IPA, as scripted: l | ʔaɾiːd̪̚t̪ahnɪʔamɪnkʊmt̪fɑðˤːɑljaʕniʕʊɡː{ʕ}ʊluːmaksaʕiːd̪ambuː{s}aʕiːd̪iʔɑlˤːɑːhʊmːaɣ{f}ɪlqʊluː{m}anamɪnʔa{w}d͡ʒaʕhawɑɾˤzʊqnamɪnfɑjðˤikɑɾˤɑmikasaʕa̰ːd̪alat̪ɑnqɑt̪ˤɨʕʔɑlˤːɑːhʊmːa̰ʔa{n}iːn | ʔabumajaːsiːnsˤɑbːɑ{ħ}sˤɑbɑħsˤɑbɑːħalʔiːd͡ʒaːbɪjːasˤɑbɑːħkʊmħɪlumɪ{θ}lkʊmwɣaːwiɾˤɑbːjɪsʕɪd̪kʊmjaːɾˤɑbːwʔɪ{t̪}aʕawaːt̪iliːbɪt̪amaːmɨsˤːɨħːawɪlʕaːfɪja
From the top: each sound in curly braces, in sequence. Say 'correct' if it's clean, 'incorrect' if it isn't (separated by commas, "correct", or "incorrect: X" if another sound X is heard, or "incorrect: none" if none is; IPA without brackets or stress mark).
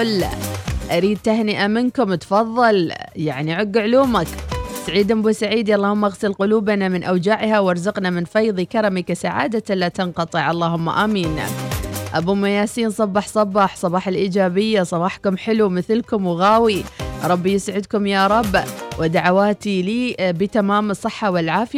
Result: correct, correct, incorrect: s, incorrect: b, correct, incorrect: m, correct, correct, incorrect: d̪